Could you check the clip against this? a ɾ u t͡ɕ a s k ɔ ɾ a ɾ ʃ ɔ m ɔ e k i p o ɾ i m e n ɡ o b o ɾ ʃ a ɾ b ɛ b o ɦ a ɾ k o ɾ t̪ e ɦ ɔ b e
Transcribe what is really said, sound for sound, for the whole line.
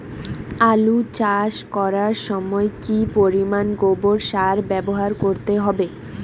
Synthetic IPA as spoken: a l u t͡ɕ a ʃ k ɔ ɾ a ɾ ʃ ɔ m ɔ e k i p o ɾ i m a n ɡ o b o ɾ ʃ a ɾ b ɛ b o ɦ a ɾ k o ɾ t̪ e ɦ ɔ b e